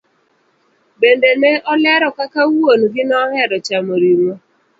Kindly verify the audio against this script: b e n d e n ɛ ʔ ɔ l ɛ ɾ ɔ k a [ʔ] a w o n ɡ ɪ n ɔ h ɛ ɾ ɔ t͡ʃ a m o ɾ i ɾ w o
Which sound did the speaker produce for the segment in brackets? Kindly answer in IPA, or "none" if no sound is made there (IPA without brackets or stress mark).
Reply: k